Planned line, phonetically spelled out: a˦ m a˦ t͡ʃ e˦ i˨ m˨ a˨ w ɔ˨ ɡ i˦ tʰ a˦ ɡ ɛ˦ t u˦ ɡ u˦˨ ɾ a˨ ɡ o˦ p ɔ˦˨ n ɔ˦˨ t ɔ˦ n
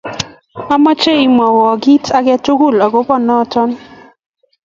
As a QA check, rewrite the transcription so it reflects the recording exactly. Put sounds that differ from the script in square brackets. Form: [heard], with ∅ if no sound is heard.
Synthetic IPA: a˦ m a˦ t͡ʃ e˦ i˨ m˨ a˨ w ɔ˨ ɡ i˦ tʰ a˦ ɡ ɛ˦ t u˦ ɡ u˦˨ [l] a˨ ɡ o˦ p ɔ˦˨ n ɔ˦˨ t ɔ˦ n